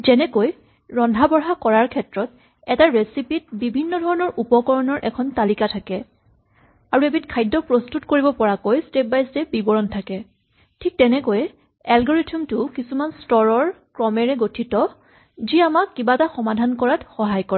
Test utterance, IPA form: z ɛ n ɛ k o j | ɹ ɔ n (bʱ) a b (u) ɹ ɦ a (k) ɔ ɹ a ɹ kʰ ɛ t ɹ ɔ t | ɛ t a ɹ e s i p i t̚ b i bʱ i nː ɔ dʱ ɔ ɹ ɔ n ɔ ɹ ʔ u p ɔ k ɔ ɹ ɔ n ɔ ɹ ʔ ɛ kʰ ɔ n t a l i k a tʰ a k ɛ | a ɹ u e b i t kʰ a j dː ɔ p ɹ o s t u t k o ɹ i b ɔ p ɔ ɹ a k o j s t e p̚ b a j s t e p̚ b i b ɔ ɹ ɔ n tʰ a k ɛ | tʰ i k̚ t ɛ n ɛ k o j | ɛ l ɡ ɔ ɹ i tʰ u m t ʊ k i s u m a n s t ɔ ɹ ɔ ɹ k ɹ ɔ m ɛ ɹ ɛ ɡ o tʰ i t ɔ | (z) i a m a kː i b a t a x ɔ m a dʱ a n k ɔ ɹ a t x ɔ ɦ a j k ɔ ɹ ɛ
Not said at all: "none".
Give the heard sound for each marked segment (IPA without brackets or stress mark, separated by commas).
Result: dʱ, ɔ, k, z